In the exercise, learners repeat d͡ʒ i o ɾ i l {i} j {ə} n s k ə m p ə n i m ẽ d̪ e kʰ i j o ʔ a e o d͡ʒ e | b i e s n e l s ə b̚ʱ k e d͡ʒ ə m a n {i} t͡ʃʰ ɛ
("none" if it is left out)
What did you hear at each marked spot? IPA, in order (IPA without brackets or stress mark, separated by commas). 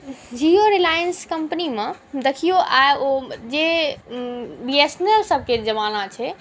a, ə, a